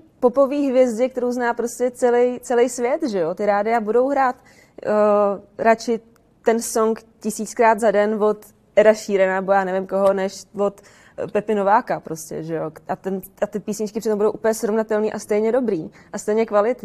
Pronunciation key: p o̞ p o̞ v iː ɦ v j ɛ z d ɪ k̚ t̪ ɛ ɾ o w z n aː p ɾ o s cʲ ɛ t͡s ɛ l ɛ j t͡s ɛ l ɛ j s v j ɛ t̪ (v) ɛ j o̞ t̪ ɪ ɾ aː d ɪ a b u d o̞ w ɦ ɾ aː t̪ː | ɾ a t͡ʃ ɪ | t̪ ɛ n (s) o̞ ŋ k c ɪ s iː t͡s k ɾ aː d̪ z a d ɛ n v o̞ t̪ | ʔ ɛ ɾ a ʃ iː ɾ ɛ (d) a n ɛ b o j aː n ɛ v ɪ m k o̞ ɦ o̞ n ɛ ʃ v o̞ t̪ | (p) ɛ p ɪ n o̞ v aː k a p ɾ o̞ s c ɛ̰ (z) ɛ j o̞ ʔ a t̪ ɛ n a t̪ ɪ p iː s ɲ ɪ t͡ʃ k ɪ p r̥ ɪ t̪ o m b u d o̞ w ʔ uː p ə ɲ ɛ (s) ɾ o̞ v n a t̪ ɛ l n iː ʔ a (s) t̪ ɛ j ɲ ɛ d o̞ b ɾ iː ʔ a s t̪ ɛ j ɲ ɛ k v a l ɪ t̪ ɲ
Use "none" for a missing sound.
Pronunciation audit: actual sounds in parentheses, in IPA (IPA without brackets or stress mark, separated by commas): ʒ, s, n, p, ʒ, s, s